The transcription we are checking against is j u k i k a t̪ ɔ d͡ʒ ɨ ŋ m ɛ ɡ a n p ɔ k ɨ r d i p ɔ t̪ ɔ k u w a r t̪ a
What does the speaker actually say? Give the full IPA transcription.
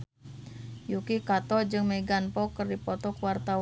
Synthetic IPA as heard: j u k i k a t̪ ɔ d͡ʒ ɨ ŋ m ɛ ɡ a n p ɔ k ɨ r d i p ɔ t̪ ɔ k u w a r t̪ a

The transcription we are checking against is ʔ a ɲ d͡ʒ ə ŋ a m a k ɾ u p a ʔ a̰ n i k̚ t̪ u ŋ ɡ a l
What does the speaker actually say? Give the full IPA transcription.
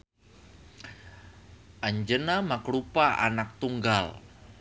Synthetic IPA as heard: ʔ a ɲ d͡ʒ ə n a m a k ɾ u p a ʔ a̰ n a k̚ t̪ u ŋ ɡ a l

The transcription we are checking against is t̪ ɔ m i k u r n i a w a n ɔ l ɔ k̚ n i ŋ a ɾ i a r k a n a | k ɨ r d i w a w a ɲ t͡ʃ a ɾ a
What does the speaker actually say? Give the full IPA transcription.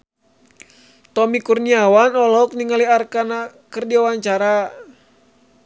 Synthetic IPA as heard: t̪ ɔ m i k u r n i a w a n ɔ l ɔ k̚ n i ŋ a l i a r k a n a | k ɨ r d i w a w a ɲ t͡ʃ a ɾ a

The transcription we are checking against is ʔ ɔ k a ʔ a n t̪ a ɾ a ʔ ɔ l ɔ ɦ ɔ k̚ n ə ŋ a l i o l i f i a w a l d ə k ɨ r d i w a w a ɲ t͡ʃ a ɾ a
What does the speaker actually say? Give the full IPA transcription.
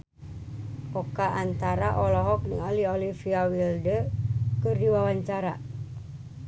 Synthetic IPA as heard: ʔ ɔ k a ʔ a n t̪ a ɾ a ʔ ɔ l ɔ ɦ ɔ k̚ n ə ŋ a l i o l i f i a w i l d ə k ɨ r d i w a w a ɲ t͡ʃ a ɾ a

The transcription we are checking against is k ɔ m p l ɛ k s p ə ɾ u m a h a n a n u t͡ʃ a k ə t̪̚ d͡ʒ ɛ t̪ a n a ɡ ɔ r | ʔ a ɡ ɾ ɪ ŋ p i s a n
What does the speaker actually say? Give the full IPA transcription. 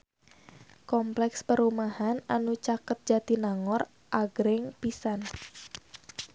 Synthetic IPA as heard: k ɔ m p l ɛ k s p ə ɾ u m a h a n a n u t͡ʃ a k ə t̪̚ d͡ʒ a t̪ i n a ŋ ɔ r | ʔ a ɡ ɾ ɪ ŋ p i s a n

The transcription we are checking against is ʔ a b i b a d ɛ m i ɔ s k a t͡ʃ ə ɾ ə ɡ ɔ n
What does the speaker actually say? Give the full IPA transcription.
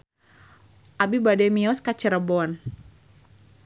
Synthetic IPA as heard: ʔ a b i b a d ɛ m i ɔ s k a t͡ʃ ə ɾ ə b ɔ n

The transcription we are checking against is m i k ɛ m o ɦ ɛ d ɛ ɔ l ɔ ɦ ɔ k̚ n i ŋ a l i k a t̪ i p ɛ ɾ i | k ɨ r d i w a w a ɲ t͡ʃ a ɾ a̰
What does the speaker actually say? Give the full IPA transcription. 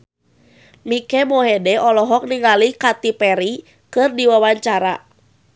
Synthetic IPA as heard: m i k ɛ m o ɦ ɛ d ɛ ɔ l ɔ ɦ ɔ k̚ n i ŋ a l i k a t̪ i p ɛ ɾ i | k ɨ r d i w a w a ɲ t͡ʃ a ɾ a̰

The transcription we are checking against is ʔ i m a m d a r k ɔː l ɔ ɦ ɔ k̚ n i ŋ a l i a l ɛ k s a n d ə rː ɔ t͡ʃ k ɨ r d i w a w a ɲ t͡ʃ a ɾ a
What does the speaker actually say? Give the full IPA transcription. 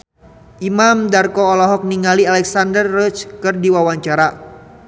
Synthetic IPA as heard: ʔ i m a m d a r k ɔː l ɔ ɦ ɔ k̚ n i ŋ a l i a l ɛ k s a n d ə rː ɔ t͡ʃ k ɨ r d i w a w a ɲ t͡ʃ a ɾ a

